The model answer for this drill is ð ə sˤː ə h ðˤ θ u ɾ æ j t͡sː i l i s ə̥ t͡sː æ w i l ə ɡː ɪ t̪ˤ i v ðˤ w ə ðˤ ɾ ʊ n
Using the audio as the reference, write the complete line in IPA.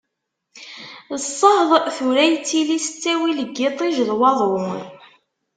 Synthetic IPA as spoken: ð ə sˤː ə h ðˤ θ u ɾ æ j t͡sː i l i s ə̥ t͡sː æ w i l ə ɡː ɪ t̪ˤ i ʒ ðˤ w ɑ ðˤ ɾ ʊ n